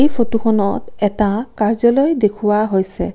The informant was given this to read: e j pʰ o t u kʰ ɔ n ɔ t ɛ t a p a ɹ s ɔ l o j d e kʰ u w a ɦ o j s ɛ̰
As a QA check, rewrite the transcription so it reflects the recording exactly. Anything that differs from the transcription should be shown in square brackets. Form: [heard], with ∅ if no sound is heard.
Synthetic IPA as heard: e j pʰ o t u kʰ ɔ n ɔ t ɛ t a [k] a ɹ [z] ɔ l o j d e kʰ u w a ɦ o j s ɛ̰